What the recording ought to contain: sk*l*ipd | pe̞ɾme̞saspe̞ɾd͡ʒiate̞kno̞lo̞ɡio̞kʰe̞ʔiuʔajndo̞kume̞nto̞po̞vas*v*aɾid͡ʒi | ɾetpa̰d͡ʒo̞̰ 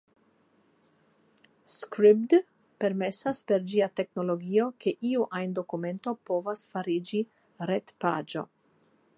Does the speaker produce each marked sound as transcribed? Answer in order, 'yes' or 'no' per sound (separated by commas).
no, no